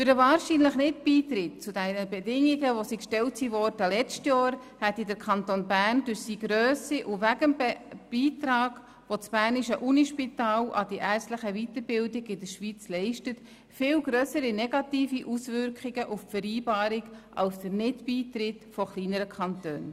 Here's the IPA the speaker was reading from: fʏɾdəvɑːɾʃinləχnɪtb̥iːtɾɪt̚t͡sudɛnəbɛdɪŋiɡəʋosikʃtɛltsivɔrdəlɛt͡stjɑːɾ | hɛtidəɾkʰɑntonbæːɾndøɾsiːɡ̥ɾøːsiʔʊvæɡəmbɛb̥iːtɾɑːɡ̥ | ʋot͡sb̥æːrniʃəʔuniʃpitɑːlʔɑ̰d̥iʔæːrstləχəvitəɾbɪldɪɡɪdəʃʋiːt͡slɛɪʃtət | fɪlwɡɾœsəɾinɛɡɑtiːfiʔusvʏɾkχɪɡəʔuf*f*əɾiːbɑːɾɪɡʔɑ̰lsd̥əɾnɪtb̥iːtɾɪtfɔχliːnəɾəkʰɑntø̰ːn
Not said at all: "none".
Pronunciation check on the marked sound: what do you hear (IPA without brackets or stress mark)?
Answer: f